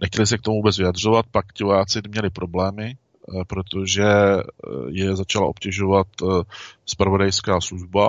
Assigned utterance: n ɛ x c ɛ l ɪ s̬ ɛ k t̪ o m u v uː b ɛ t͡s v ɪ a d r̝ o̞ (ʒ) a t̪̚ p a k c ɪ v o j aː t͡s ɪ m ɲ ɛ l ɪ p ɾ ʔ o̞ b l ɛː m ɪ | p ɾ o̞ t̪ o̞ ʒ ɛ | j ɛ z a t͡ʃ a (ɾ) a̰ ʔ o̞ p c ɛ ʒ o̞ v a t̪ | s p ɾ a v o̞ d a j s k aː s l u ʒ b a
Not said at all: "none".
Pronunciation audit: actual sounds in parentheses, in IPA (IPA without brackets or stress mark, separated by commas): v, l